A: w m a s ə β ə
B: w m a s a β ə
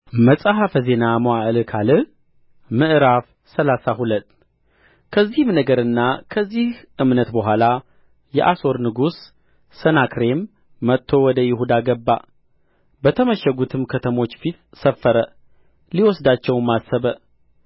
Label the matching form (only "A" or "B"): A